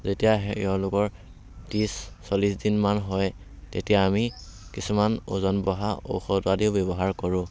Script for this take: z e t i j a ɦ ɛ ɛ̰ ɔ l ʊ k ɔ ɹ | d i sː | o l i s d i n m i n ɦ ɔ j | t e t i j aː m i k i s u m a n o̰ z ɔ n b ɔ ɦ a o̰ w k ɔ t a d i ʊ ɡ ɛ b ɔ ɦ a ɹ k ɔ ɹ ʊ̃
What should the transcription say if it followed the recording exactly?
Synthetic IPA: z e t i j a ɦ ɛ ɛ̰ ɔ l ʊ k ɔ ɹ | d i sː | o l i s d i n m a n ɦ ɔ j | t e t i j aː m i k i s u m a n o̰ z ɔ n b ɔ ɦ a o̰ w x ɔ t a d i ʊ b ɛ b ɔ ɦ a ɹ k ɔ ɹ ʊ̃